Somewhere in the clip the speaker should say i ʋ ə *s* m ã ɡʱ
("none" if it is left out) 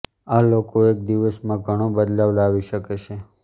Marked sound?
s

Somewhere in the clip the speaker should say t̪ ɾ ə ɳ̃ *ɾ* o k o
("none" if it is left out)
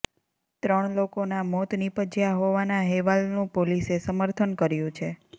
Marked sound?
l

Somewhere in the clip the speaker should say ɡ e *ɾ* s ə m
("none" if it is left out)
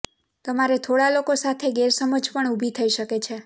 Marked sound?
ɾ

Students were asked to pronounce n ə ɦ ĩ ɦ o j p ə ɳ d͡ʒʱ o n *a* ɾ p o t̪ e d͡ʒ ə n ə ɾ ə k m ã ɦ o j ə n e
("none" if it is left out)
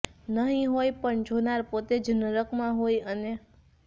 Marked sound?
a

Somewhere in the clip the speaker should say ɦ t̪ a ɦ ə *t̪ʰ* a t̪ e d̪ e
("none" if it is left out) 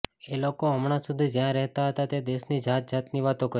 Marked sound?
t̪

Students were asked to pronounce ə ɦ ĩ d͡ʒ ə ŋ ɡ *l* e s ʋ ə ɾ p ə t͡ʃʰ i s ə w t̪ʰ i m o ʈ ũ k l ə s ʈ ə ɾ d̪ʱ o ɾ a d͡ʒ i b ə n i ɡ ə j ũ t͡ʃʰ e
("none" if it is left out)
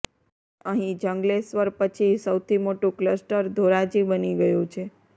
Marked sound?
l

